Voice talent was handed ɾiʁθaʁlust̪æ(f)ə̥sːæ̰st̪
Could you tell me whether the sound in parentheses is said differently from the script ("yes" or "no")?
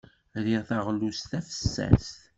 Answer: no